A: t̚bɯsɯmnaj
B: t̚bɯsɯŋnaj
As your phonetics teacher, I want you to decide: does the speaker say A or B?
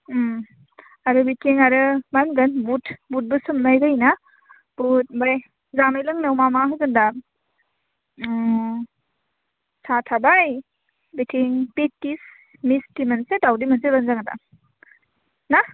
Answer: A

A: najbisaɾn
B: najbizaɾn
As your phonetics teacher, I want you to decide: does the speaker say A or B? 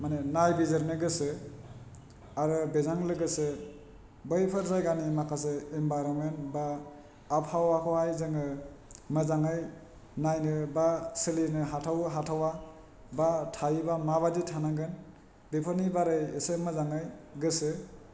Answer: B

